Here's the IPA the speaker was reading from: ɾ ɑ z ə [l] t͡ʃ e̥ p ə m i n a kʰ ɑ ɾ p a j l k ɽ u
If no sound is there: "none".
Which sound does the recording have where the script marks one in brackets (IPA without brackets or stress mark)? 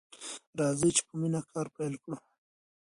none